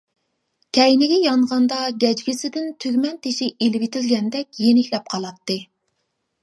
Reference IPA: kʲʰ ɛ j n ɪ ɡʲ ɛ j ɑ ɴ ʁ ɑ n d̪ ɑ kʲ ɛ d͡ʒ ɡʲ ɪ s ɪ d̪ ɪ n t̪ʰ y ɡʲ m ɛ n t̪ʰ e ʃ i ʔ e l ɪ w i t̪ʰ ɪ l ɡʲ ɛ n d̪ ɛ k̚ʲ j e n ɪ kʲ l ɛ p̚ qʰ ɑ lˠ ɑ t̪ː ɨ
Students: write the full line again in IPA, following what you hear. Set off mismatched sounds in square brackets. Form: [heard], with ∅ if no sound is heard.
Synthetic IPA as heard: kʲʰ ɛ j n ɪ ɡʲ ɛ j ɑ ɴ ʁ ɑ n d̪ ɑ [ɡʲ] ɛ d͡ʒ ɡʲ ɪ s ɪ d̪ ɪ n t̪ʰ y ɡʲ m ɛ n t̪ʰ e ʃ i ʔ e l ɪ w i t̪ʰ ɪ l ɡʲ ɛ n d̪ ɛ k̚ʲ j e n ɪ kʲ l ɛ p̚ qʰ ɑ lˠ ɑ t̪ː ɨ